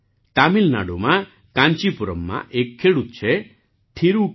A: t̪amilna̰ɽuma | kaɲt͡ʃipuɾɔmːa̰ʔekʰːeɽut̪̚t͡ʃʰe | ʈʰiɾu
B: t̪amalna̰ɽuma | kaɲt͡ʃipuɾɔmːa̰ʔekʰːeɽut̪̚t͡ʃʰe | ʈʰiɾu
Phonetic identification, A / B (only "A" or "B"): A